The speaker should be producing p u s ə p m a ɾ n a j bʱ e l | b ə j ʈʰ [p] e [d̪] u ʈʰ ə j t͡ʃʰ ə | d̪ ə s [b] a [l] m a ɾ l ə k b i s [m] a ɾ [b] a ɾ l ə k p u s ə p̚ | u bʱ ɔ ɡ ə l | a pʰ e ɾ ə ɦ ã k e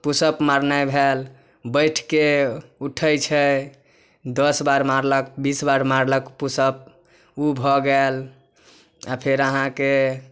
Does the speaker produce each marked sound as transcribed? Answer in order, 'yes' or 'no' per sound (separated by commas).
no, no, yes, no, no, no